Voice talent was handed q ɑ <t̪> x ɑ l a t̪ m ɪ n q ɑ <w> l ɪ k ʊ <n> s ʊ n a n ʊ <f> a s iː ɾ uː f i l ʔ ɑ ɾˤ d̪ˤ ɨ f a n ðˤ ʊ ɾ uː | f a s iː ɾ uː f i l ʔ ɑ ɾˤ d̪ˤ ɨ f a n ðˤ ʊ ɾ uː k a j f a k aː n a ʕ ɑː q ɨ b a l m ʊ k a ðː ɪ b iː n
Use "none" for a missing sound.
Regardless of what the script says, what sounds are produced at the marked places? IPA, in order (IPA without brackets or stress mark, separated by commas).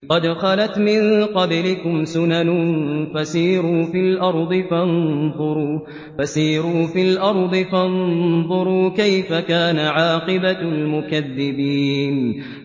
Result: d̪, b, m, f